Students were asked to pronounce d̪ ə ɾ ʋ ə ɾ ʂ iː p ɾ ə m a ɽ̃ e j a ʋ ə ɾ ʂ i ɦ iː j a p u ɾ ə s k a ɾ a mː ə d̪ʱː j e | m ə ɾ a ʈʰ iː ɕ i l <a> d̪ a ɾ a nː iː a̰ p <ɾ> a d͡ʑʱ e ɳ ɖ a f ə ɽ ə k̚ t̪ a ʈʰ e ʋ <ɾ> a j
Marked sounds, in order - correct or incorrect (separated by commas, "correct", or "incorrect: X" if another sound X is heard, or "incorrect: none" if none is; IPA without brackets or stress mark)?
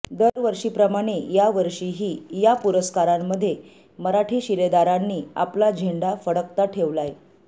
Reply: incorrect: e, incorrect: l, incorrect: l